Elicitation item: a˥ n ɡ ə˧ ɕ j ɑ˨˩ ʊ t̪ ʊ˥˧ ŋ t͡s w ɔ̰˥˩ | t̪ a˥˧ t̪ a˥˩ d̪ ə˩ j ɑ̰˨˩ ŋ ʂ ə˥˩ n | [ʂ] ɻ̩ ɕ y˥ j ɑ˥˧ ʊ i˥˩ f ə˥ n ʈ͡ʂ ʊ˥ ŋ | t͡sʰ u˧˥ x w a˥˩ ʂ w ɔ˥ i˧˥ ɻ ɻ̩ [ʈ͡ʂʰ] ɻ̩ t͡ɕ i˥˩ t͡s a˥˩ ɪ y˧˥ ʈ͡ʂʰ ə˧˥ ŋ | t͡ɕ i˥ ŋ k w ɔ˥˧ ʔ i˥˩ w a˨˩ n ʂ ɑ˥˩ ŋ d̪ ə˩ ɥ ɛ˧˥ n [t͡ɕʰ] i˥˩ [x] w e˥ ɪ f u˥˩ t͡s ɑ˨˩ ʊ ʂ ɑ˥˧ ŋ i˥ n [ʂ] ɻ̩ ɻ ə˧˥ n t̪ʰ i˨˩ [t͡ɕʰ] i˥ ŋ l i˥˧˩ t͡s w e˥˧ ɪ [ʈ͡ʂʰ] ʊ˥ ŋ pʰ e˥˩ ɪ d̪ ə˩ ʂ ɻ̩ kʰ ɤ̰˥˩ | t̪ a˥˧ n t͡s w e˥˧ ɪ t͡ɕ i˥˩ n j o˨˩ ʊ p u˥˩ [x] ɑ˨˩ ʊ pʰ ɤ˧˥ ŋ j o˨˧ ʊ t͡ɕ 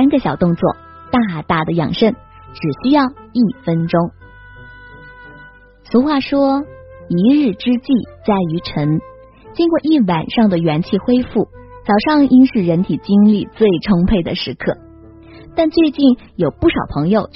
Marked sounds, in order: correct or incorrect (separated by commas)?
incorrect, incorrect, correct, correct, correct, incorrect, correct, incorrect